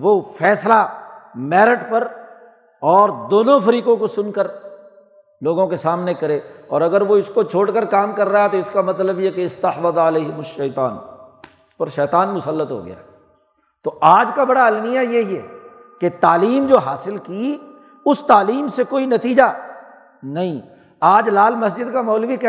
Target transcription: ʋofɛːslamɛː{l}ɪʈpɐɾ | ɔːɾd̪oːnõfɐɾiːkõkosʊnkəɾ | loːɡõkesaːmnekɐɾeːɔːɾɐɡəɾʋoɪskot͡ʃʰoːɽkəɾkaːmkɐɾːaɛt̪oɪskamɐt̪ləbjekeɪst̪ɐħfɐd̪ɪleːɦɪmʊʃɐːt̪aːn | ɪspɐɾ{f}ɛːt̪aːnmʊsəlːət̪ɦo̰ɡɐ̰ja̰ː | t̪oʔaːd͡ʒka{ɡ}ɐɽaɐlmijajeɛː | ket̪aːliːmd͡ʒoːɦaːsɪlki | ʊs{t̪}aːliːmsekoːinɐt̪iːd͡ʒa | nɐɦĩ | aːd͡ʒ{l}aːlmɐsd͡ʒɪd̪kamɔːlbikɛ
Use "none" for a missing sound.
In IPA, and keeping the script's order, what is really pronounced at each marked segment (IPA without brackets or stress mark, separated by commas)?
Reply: ɾ, ʃ, b, t̪, l